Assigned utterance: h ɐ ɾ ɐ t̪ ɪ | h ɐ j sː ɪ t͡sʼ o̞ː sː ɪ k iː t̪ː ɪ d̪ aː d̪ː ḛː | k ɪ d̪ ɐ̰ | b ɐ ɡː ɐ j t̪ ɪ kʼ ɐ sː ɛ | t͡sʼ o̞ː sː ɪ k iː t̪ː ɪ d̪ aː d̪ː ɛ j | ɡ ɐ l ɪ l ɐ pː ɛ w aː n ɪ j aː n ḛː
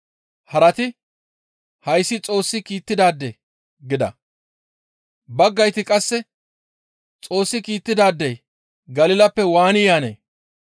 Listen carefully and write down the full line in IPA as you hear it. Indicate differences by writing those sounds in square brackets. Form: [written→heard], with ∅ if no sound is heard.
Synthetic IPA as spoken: h ɐ ɾ ɐ t̪ ɪ | h ɐ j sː ɪ t͡sʼ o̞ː sː ɪ k iː t̪ː ɪ d̪ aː d̪ː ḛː | [k→ɡ] ɪ d̪ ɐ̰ | b ɐ ɡː ɐ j t̪ ɪ kʼ ɐ sː ɛ | t͡sʼ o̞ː sː ɪ k iː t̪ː ɪ d̪ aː d̪ː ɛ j | ɡ ɐ l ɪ l ɐ pː ɛ w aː n ɪ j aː n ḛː